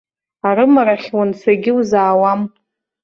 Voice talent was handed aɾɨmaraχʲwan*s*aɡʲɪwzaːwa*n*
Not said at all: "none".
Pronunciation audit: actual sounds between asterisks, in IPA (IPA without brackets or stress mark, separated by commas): s, m